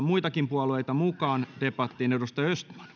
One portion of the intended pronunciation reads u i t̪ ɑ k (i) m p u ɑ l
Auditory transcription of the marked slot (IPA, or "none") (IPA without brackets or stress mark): i